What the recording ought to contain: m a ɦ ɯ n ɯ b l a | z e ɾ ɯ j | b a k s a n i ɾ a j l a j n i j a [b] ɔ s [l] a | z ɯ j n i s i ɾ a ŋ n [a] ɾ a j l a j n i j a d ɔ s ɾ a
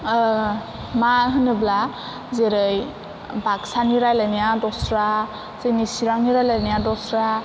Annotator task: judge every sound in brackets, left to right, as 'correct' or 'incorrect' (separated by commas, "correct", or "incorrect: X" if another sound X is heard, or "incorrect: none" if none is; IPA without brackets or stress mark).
incorrect: d, incorrect: ɾ, incorrect: i